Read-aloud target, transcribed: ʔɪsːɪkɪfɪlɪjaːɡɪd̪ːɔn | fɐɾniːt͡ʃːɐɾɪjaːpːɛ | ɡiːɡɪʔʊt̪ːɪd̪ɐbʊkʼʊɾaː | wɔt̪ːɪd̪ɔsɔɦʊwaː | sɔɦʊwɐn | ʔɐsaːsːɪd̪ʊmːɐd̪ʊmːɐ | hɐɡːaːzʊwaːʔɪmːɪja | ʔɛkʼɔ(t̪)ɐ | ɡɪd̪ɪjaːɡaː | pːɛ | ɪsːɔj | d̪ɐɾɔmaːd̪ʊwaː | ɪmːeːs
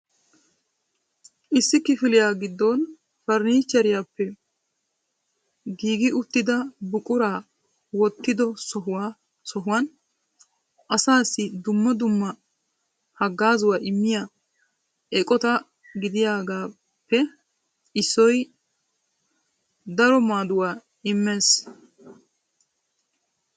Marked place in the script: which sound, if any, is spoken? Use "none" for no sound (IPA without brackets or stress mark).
t̪